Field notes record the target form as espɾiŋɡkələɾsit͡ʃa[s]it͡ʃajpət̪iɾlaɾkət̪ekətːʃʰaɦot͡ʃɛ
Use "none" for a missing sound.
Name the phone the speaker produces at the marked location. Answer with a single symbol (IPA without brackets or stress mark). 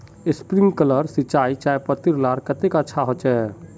none